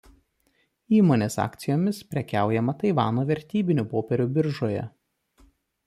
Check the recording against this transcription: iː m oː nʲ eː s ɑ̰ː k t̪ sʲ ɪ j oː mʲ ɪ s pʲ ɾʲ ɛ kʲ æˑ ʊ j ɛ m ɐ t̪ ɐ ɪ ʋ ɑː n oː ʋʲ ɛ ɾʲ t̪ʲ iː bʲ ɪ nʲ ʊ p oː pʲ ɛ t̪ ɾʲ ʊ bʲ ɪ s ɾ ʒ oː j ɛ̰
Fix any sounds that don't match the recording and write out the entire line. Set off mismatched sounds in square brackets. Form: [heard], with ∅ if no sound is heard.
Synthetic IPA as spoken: iː m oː nʲ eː s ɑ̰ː k t̪ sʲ ɪ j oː mʲ ɪ s pʲ ɾʲ ɛ kʲ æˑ ʊ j ɛ m ɐ t̪ ɐ ɪ ʋ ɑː n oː ʋʲ ɛ ɾʲ t̪ʲ iː bʲ ɪ nʲ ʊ p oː pʲ ɛ [∅] ɾʲ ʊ bʲ ɪ [∅] ɾ ʒ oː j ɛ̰